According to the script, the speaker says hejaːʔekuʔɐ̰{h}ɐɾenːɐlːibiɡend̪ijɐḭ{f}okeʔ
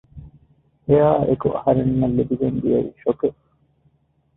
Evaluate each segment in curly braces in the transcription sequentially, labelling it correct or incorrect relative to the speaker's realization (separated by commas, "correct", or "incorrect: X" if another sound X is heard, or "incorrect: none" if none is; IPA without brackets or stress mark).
correct, incorrect: ʃ